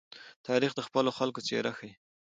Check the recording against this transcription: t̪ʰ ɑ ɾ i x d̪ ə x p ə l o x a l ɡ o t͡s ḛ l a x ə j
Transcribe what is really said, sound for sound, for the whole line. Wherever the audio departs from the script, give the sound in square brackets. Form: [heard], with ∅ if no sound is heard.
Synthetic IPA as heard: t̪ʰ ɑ ɾ i x d̪ ə x p ə l o x a l [k] o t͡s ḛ [ɾ] a x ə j